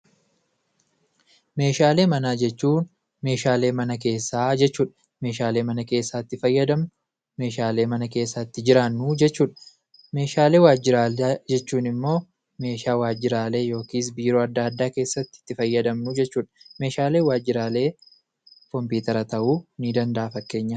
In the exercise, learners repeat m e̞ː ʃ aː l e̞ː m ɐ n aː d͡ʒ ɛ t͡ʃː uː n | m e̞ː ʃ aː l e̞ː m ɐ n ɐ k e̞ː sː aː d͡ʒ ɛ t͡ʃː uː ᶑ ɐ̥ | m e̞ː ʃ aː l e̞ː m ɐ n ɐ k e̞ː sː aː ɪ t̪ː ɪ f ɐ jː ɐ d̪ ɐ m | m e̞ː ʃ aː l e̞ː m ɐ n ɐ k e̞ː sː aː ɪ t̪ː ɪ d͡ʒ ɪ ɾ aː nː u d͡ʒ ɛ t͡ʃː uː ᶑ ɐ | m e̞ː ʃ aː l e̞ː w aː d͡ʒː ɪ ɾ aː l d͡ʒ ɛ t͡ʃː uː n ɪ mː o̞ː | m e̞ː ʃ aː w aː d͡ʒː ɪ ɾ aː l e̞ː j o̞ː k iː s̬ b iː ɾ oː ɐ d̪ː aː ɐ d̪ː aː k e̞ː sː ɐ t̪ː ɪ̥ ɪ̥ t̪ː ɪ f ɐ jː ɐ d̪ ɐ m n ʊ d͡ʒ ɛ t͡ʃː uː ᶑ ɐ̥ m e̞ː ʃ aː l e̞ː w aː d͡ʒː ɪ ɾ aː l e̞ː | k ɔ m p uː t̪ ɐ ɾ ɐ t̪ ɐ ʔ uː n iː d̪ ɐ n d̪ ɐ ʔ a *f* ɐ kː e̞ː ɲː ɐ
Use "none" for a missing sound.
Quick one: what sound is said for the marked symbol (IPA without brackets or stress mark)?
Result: f